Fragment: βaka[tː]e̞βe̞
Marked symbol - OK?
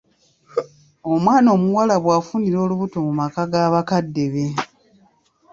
no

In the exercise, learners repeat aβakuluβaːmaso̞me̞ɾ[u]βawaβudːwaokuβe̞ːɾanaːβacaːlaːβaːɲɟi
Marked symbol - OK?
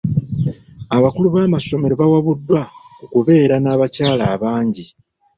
no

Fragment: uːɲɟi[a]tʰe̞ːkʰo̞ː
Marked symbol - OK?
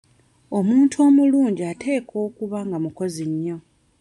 yes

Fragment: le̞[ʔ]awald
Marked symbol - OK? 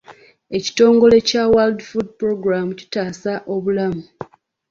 no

